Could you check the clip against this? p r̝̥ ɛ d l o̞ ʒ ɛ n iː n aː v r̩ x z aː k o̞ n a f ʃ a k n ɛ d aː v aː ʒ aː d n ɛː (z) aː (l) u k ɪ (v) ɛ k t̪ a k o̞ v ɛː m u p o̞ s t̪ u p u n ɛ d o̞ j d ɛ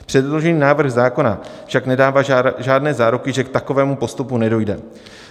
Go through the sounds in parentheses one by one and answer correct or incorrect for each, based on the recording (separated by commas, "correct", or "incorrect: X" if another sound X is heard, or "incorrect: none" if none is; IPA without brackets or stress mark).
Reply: correct, incorrect: ɾ, incorrect: ʒ